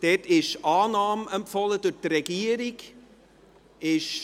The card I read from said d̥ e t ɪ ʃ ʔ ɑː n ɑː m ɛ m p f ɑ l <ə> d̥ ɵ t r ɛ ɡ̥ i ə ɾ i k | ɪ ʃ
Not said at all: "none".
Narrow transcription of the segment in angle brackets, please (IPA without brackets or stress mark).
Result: ə